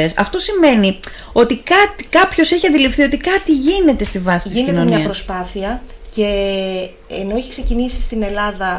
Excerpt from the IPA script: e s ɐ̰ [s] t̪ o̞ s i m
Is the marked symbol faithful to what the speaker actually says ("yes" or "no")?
no